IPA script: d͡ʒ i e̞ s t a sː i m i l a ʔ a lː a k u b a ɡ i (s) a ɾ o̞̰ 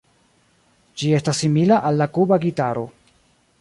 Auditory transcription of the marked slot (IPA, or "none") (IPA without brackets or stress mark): t